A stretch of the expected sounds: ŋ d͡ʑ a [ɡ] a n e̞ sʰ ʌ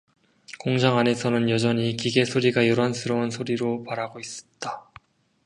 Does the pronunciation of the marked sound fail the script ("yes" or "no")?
yes